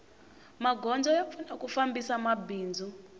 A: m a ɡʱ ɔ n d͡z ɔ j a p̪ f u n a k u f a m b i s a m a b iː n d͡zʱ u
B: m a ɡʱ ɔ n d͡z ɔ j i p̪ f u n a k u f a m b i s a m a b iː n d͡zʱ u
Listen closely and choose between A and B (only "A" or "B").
A